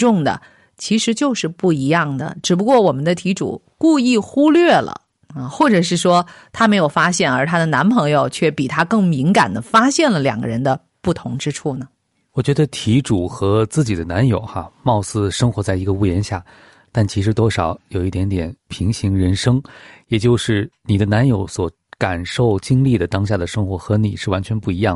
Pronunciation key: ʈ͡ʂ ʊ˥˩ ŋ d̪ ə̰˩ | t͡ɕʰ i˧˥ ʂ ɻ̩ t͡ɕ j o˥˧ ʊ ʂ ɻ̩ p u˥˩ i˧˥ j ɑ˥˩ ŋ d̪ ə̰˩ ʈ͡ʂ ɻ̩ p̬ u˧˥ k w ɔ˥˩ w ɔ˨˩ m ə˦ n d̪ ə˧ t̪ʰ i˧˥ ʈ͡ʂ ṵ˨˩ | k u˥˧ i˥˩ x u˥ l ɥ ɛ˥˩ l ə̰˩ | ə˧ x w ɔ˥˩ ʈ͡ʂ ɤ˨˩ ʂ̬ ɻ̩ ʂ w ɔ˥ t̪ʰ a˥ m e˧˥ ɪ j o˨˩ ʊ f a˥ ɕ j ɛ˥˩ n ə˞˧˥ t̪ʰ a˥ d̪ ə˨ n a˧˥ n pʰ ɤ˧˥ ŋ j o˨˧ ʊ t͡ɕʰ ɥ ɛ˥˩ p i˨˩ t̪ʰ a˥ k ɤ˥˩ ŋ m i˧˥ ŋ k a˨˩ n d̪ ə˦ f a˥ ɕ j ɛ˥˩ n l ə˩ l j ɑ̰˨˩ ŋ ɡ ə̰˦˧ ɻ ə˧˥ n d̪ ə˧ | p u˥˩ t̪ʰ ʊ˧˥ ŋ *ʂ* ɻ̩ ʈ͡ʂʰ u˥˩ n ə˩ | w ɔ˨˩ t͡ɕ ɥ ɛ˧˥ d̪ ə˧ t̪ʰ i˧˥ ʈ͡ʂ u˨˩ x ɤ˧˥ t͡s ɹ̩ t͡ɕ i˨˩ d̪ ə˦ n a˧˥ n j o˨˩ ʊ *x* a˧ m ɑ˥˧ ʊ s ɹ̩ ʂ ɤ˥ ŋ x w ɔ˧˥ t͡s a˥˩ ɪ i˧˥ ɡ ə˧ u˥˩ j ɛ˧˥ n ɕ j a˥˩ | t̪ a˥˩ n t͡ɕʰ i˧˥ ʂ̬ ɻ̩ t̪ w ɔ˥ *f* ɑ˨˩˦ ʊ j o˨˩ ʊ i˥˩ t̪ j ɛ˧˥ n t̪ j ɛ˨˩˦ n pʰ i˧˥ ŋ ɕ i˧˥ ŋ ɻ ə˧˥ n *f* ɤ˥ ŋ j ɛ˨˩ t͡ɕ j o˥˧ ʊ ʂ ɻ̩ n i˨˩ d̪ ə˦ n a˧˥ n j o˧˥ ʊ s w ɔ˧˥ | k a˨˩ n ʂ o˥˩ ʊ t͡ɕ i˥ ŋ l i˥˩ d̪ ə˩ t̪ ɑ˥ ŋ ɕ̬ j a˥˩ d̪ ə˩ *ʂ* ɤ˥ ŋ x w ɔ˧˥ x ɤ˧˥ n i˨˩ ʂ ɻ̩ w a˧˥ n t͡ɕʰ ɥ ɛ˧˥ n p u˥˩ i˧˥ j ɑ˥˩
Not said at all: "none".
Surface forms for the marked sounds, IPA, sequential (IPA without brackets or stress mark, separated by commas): ʈ͡ʂ, x, ʂ, ʂ, ʂ